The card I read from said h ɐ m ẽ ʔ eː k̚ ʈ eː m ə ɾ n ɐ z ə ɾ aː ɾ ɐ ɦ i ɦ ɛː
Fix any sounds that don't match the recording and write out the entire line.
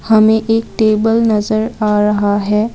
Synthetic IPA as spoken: h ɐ m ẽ ʔ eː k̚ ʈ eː b ə l n ɐ z ə ɾ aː ɾ ɐ ɦ a ɦ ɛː